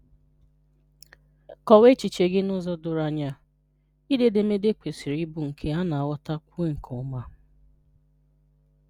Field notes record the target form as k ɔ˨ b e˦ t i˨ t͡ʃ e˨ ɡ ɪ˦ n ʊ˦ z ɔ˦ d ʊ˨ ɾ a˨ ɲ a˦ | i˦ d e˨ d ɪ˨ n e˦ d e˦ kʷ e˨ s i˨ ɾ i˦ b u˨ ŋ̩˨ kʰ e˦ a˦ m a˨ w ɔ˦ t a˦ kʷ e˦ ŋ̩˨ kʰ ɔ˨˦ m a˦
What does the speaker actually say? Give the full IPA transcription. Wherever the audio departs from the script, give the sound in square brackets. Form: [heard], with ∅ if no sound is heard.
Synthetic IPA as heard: k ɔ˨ [w] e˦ [t͡ʃ] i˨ t͡ʃ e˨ ɡ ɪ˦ n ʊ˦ z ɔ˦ d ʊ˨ ɾ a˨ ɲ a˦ | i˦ d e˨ d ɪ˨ [m] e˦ d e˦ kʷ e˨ s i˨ ɾ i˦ b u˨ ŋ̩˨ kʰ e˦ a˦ [n] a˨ w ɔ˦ t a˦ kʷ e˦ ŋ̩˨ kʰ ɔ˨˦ m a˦